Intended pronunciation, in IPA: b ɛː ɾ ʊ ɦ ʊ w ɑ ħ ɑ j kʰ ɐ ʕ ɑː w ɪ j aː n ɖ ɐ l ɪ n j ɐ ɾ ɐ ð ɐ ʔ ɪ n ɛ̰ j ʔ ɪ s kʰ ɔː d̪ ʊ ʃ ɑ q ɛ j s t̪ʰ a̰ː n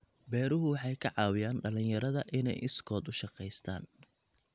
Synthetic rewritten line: b ɛː ɾ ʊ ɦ ʊ w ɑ ħ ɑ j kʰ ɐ ʕ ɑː w ɪ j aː n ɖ ɐ l ɪ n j ɐ ɾ ɐ ð ɐ ʔ ɪ n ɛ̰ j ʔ ɪ s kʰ ɔː d̪ ʊ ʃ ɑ q ɛ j s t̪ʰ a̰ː n